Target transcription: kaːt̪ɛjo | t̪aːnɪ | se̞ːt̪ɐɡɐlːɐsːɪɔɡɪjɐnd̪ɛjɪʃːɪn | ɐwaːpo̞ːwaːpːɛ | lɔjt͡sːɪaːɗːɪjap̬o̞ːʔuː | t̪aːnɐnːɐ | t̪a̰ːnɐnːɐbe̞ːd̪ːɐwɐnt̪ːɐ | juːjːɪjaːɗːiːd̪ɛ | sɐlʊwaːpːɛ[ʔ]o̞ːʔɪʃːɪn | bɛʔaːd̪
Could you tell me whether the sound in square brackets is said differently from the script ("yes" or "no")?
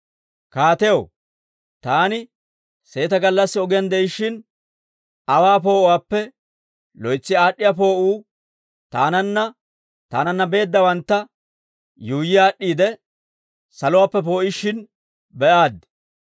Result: yes